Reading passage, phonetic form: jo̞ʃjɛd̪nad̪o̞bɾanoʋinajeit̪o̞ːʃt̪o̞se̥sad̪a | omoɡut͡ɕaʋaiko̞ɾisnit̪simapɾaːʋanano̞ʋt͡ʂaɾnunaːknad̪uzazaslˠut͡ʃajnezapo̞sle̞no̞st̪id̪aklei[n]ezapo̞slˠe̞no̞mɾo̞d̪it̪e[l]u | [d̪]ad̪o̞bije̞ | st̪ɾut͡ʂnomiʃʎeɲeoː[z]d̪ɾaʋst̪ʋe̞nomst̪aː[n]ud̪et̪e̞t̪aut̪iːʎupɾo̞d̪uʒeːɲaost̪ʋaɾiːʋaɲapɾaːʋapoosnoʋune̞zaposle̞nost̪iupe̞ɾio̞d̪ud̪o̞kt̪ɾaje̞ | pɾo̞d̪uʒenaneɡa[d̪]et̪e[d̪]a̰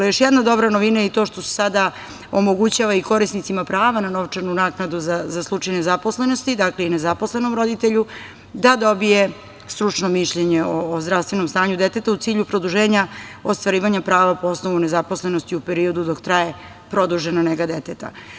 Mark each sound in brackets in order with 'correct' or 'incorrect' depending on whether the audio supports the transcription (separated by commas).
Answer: correct, incorrect, correct, correct, incorrect, correct, incorrect